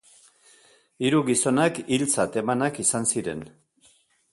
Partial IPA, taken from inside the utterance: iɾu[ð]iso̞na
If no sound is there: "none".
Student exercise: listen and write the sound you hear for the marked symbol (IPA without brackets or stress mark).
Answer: ɣ